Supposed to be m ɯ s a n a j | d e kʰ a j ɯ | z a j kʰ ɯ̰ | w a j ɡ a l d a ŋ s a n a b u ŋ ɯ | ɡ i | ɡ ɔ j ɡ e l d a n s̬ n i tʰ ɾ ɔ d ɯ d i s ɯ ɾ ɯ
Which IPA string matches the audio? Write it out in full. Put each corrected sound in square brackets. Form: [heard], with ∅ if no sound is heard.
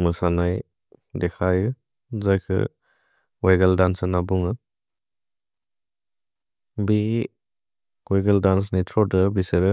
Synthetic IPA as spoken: m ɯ s a n a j | d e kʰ a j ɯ | z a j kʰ ɯ̰ | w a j ɡ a l d a [n] s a n a b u ŋ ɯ | [b] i | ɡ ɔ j ɡ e l d a n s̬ n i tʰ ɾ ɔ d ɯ [b] i s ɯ ɾ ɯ